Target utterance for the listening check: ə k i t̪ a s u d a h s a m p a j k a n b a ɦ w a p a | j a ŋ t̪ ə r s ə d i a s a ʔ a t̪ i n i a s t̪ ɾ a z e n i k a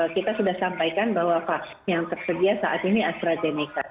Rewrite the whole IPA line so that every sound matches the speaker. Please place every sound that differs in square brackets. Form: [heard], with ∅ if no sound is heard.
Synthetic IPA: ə k i t̪ a s u d a h s a m p a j k a n b a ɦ w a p a | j a ŋ t̪ ə r s ə d i a s a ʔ a t̪ i n i a s t̪ ɾ a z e n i k a